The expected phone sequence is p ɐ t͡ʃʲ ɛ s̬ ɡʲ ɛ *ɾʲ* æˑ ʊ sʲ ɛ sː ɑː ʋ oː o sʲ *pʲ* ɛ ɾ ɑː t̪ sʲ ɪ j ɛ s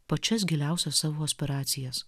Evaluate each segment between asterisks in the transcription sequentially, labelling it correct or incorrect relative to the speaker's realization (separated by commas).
incorrect, correct